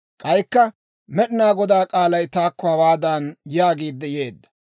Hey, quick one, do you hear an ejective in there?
yes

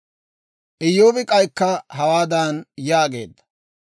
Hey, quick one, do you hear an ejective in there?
yes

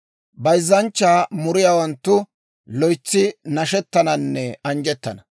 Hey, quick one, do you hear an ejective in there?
no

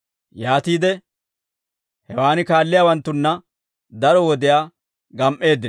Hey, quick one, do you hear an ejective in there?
no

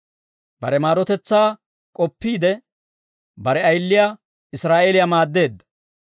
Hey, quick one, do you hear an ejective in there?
yes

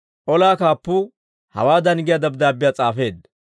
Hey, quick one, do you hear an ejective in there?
yes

